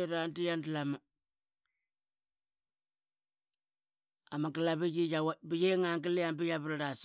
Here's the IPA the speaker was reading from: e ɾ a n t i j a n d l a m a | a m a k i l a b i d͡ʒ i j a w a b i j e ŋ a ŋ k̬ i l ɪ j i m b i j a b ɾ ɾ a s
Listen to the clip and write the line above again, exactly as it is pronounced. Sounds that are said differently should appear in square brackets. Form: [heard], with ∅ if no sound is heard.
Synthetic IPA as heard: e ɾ a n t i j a n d l a m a | a m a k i l a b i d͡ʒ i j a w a b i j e ŋ a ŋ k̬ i l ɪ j [a] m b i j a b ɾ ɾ a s

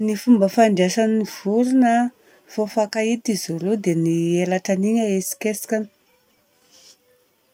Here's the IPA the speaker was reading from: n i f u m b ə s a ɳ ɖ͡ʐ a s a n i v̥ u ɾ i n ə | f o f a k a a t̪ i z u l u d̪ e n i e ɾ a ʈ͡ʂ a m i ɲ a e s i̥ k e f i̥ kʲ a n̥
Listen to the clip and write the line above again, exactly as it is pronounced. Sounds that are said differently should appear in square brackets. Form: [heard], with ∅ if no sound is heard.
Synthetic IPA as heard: n i f u m b ə [f] a ɳ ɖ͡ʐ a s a n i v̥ u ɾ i n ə | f o f a k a [i] t̪ i z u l u d̪ e n i e [l] a ʈ͡ʂ a [n] i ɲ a e s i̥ k e [s] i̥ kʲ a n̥

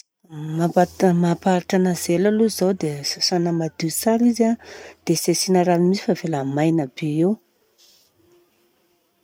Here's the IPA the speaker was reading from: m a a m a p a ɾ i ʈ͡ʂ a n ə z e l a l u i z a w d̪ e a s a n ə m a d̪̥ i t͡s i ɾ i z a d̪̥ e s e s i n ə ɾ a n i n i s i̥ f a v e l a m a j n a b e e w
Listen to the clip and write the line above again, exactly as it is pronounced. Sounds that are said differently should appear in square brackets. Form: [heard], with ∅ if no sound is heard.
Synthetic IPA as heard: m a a m a p a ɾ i ʈ͡ʂ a n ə z e l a l u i z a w d̪ e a s a n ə m a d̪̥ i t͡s [a] ɾ i z a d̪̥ e s e s i n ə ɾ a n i [m] i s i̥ f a v e l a m a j n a b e e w

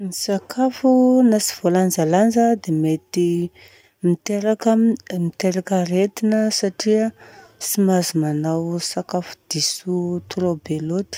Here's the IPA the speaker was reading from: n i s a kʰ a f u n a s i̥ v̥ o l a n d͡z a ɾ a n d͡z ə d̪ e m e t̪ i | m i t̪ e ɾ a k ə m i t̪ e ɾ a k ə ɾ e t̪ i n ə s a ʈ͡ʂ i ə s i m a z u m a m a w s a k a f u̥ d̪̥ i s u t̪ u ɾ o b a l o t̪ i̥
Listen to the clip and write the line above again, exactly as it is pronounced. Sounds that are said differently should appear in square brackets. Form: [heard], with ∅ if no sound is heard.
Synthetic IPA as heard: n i s a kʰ a f u n a s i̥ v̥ o l a n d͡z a [l] a n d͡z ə d̪ e m e t̪ i | m i t̪ e ɾ a k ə m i t̪ e ɾ a k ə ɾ e t̪ i n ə s a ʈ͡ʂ i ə s i m a z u m a [n] a w s a k a f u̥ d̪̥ i s u t̪ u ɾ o b [e] l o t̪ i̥

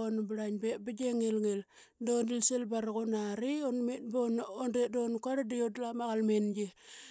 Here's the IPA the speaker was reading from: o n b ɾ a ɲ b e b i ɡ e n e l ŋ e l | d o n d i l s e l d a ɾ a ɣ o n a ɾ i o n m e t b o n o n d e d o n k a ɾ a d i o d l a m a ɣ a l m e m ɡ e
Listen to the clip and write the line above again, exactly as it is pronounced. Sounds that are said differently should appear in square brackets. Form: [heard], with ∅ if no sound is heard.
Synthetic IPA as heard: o n b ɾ a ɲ b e b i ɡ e [ŋ] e l ŋ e l | d o n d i l s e l [b] a ɾ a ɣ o n a ɾ i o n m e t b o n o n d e d o n k a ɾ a d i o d l a m a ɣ a l m e [n] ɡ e

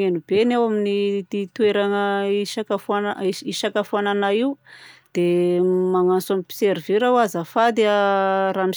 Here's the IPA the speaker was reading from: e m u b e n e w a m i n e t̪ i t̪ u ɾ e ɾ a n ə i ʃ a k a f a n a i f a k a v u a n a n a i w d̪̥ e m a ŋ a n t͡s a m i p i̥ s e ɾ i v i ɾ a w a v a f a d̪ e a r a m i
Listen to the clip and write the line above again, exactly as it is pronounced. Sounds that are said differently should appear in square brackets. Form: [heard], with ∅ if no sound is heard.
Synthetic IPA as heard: e [n] u b e n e w a m i n [i] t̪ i t̪ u [∅] e ɾ a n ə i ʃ a k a f a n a i [ʃ] a k a [f] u a n a n a i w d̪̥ e m a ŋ a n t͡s a m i p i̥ s e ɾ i v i ɾ a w a [z] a f a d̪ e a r a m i

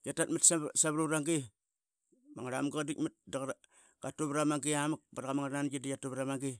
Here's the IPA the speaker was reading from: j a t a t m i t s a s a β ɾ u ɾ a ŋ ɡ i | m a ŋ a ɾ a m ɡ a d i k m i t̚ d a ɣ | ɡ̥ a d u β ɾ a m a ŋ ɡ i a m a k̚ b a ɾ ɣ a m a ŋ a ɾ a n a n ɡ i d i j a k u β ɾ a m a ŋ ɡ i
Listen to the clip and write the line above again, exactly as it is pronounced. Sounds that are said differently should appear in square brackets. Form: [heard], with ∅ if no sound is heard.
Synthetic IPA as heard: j a t a t m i t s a s a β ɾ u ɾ a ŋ ɡ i | m a ŋ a ɾ a m ɡ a d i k m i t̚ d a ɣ | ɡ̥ a [t] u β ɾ a m a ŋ ɡ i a m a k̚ b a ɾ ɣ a m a ŋ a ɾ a n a n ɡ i d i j a [t] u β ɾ a m a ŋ ɡ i

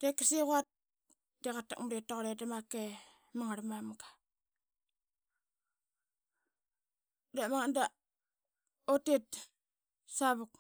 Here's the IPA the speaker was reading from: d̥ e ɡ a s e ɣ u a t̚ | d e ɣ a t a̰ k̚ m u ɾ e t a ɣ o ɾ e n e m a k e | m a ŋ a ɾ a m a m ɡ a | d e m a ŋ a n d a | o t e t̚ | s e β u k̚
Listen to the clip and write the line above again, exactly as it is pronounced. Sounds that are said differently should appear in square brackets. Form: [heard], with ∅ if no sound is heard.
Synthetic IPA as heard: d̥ e [k] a s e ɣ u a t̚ | d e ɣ a t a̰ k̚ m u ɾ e t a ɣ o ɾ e [d] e m a k e | m a ŋ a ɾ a m a m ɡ a | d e m a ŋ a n d a | o t e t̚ | s [a] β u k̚

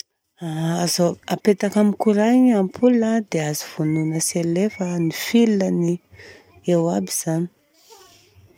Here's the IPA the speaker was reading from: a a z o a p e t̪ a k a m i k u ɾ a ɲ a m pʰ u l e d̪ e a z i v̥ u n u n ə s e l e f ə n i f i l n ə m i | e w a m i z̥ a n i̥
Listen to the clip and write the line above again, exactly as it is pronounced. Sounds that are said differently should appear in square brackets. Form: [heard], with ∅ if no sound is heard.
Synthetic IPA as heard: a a z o a p e t̪ a k a m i k u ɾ a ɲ a m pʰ u l [a] d̪ e a z i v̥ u n u n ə s e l e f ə n i f i l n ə [n] i | e w a [b] i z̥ a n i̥

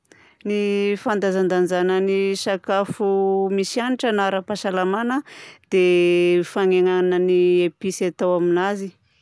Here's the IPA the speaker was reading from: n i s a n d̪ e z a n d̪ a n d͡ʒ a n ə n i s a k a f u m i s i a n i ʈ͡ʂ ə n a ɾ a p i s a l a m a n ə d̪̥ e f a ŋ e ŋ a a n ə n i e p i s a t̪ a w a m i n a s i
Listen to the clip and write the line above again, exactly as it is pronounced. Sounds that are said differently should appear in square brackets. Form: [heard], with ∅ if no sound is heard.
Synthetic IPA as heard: n i [f] a n d̪ [a] z a n d̪ a n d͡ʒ a n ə n i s a k a f u m i s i a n i ʈ͡ʂ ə n a ɾ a p [a] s a l a m a n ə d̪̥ e f a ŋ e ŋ a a n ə n i e p i s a t̪ a w a m i n a [z] i

